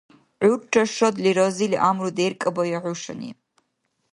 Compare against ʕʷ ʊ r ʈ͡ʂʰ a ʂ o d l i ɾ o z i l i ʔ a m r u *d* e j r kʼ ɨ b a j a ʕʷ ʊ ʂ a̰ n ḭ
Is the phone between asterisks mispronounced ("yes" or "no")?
no